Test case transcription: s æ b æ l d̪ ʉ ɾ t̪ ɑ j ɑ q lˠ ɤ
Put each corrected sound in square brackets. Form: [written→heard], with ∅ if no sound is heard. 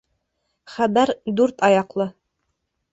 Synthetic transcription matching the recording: [s→χ] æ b æ [l→ɾ] d̪ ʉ ɾ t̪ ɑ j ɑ q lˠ ɤ